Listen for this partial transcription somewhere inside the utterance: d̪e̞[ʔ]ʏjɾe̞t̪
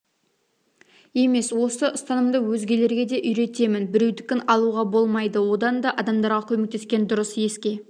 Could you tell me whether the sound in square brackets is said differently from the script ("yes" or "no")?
no